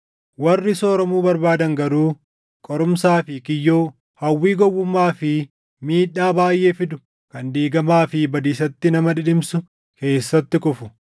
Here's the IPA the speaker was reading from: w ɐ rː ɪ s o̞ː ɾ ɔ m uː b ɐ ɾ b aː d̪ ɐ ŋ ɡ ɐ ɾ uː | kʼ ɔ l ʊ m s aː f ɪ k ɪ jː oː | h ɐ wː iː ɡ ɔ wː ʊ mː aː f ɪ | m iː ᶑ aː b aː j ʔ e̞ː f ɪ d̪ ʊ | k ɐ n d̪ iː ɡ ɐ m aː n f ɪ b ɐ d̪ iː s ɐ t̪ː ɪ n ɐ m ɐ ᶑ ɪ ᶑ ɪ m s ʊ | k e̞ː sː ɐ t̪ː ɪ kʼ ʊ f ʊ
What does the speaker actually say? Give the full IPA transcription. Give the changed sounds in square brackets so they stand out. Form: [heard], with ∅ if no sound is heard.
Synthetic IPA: w ɐ rː ɪ s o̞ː ɾ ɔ m uː b ɐ ɾ b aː d̪ ɐ ŋ ɡ ɐ ɾ uː | kʼ ɔ [ɾ] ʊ m s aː f ɪ k ɪ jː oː | h ɐ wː iː ɡ ɔ wː ʊ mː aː f ɪ | m iː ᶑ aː b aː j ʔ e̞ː f ɪ d̪ ʊ | k ɐ n d̪ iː ɡ ɐ m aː [∅] f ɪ b ɐ d̪ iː s ɐ t̪ː ɪ n ɐ m ɐ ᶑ ɪ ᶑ ɪ m s ʊ | k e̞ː sː ɐ t̪ː ɪ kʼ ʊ f ʊ